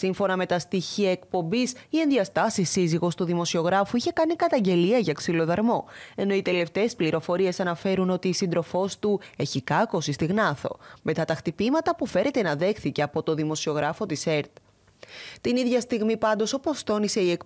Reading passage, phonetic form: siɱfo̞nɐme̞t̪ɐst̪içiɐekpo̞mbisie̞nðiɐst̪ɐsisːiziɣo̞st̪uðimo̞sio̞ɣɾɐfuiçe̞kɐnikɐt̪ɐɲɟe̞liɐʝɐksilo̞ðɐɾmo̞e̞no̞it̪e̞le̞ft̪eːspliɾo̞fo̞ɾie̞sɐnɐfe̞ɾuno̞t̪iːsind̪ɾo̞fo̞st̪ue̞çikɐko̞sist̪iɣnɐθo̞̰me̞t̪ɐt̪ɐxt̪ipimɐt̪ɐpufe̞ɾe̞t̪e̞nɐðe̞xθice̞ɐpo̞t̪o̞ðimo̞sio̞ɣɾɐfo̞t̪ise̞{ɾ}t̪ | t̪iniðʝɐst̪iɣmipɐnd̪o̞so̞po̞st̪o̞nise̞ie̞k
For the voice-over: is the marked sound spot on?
yes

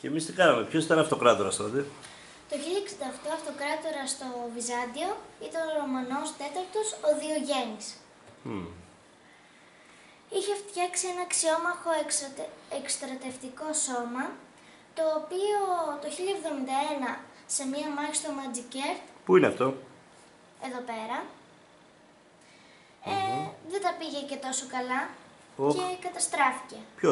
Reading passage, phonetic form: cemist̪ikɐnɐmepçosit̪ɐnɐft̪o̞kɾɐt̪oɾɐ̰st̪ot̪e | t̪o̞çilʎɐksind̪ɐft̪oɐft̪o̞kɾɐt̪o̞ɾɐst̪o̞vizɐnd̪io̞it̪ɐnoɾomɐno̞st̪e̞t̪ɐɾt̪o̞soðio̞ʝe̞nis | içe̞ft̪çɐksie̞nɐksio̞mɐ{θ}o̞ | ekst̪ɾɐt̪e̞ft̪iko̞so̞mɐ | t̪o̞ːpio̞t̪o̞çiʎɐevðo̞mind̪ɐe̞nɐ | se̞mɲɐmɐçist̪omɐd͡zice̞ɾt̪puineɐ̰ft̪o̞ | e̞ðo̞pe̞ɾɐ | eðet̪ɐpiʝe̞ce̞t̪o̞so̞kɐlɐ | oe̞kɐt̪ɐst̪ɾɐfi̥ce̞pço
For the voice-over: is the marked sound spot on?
no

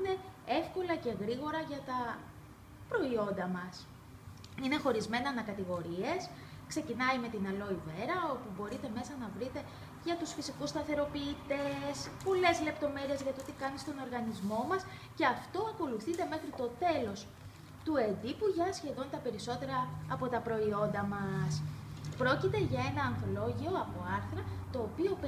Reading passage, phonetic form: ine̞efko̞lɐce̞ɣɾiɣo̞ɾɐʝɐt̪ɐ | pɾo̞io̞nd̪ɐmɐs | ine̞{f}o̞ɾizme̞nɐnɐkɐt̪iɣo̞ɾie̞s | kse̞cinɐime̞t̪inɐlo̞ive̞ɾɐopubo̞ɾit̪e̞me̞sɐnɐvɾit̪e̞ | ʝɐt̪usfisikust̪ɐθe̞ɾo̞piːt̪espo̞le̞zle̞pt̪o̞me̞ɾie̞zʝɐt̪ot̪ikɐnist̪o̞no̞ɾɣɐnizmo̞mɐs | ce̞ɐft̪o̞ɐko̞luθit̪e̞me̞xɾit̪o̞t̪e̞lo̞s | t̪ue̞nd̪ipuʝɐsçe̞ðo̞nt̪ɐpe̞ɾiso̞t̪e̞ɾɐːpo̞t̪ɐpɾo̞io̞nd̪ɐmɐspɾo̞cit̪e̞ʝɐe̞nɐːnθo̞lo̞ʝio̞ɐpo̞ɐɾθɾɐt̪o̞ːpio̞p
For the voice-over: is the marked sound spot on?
no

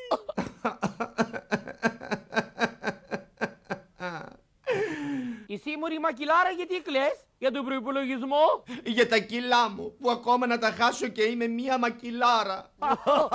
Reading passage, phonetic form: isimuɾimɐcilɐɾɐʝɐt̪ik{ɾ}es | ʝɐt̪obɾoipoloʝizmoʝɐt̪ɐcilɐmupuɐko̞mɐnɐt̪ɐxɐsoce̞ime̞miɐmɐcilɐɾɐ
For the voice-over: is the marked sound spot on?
no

